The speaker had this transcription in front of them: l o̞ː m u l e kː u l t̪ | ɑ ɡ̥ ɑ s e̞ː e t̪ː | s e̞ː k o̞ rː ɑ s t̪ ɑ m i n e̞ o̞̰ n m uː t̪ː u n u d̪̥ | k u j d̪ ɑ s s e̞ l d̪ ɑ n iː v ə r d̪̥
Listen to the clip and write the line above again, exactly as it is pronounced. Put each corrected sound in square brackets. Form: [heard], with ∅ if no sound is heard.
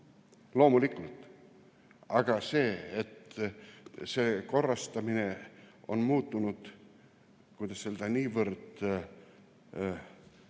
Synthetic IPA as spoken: l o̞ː m u l [i] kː u l t̪ | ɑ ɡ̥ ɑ s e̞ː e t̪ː | s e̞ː k o̞ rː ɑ s t̪ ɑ m i n e̞ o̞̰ n m uː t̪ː u n u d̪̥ | k u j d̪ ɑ s s e̞ l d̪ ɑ n iː v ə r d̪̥